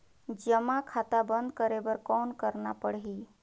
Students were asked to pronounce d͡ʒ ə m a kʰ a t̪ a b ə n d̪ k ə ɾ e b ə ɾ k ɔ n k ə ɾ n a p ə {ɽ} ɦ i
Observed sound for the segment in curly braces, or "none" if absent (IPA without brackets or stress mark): ɽ